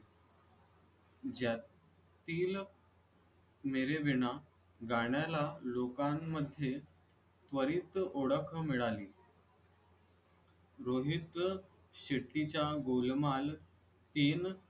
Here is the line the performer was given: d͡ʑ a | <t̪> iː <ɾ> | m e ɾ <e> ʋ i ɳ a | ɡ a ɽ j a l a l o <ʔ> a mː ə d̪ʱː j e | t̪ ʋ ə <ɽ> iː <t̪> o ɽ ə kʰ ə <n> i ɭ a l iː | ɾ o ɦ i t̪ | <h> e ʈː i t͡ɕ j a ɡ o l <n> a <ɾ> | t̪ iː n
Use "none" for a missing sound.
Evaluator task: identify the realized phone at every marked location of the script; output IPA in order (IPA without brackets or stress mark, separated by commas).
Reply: t̪, l, e, k, ɾ, t̪, m, ɕ, m, l